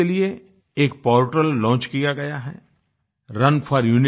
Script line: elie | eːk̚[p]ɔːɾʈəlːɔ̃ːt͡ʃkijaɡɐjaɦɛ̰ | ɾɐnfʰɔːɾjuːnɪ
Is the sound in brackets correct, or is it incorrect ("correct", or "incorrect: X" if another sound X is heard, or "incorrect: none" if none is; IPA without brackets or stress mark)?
correct